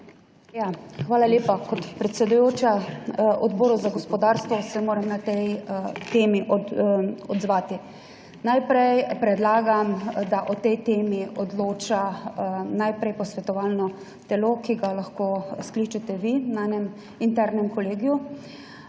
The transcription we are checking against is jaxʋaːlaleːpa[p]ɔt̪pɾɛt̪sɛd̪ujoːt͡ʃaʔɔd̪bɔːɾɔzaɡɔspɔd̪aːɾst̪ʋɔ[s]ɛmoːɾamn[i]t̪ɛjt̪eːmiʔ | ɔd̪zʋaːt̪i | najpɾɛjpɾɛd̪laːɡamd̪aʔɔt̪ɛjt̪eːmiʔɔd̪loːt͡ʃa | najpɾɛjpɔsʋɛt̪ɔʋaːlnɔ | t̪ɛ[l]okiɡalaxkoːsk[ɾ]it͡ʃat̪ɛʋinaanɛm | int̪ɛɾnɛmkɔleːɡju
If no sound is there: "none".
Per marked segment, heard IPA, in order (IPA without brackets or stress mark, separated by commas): k, s, a, l, l